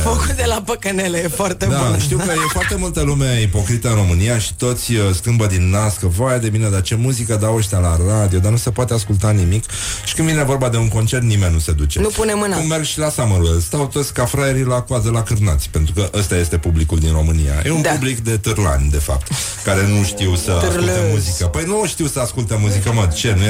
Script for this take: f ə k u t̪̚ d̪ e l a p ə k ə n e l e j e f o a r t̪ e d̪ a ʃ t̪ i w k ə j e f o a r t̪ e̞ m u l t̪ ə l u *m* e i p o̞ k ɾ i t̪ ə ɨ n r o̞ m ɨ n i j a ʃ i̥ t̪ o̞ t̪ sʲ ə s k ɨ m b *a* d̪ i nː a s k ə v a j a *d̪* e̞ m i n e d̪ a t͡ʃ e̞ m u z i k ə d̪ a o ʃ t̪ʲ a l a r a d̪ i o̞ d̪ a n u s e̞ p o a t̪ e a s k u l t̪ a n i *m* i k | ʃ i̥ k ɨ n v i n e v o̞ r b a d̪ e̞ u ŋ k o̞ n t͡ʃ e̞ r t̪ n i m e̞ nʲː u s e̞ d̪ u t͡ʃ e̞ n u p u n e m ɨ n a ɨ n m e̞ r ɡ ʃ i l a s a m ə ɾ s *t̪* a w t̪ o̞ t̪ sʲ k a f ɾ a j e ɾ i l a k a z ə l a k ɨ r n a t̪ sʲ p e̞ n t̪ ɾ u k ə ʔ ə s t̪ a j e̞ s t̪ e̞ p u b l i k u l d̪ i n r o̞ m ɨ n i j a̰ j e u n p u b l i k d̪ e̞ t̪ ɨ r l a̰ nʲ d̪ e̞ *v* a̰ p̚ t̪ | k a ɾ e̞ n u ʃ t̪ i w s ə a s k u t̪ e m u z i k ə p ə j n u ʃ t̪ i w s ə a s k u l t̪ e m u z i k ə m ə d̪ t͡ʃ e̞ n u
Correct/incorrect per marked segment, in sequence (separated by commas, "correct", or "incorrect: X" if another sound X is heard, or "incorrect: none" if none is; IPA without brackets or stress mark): correct, incorrect: ə, correct, correct, correct, incorrect: f